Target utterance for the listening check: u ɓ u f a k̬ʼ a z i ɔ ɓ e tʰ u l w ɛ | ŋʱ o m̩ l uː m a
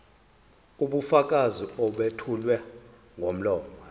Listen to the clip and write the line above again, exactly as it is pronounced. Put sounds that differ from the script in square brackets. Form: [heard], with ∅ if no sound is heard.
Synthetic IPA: u ɓ u f a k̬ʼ a z i ɔ ɓ e tʰ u l w ɛ | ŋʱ o m̩ l [ɔː] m a